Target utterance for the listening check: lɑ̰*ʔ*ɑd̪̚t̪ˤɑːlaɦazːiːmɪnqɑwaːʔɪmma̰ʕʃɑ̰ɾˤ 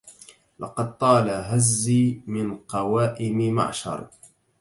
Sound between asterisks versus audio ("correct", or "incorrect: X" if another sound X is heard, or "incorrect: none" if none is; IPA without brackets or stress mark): incorrect: q